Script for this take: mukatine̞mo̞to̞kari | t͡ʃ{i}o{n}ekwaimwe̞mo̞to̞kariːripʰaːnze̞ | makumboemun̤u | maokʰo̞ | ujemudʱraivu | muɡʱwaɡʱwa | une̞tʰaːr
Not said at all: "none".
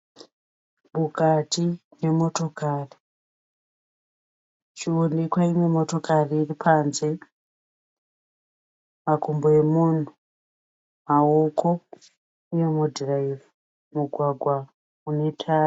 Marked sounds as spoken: i, n

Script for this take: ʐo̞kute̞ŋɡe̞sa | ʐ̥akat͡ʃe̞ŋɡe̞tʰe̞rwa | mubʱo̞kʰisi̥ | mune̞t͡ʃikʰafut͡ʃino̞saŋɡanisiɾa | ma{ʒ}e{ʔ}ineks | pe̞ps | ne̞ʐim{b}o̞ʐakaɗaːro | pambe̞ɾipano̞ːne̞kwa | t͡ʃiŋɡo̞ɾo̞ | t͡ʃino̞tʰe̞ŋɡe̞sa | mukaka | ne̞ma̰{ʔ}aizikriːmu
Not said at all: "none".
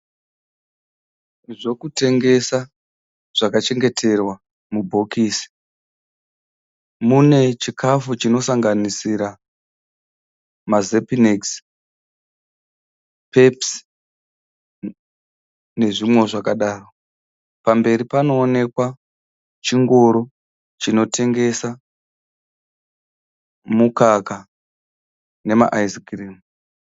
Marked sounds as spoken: z, p, w, ʔ

